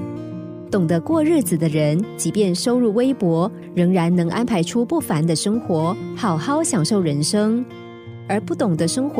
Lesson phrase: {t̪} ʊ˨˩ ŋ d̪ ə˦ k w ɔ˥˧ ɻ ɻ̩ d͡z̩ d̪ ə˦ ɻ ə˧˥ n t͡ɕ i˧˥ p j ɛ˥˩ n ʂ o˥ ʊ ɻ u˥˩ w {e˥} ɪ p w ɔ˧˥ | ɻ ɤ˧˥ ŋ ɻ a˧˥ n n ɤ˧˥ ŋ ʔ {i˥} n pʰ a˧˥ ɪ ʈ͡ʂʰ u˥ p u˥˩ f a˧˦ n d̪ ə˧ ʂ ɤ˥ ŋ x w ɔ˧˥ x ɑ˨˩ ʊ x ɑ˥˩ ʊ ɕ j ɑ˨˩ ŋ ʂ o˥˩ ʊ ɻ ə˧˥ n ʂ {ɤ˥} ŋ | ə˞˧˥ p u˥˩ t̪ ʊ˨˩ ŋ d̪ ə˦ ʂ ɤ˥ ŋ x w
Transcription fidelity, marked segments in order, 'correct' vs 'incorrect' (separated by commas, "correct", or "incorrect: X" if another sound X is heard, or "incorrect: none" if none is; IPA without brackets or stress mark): correct, correct, incorrect: a˥, correct